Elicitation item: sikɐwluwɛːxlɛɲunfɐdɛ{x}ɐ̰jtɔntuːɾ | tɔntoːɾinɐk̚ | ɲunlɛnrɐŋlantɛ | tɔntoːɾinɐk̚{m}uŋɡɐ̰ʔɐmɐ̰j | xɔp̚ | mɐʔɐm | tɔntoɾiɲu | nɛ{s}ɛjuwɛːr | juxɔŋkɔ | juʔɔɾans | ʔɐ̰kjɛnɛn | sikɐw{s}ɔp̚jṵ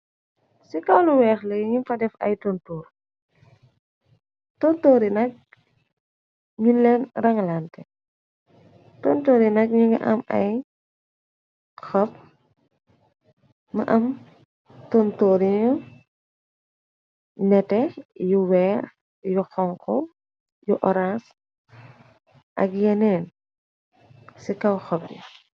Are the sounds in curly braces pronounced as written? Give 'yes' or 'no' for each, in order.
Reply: no, no, no, no

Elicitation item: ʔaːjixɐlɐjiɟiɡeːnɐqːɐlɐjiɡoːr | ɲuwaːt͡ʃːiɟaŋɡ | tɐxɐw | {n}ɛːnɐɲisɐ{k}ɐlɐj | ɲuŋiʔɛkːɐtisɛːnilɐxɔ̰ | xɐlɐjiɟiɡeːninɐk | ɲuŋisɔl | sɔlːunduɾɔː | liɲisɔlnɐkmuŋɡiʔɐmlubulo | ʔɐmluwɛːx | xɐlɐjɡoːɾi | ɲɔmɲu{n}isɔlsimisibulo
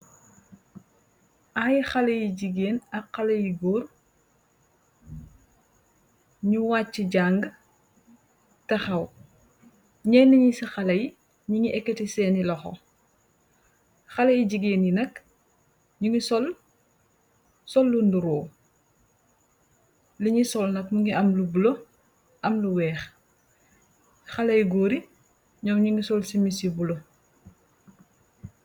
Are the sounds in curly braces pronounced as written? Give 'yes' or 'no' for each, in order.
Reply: no, no, no

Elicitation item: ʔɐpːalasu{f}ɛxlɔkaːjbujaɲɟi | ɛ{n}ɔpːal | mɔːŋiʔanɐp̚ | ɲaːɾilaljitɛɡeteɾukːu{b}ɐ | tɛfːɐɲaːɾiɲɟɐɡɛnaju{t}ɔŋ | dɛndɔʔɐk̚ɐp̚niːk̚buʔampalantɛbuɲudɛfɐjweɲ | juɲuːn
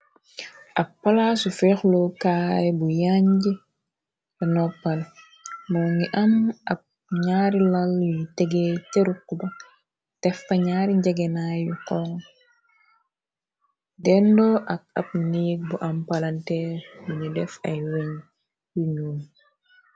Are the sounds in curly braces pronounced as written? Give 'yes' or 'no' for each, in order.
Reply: yes, yes, yes, no

